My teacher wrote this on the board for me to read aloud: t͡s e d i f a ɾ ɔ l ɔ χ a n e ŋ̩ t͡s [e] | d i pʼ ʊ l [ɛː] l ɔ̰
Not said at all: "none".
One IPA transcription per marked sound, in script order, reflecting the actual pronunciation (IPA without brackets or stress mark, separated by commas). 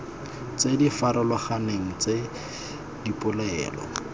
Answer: e, ɛː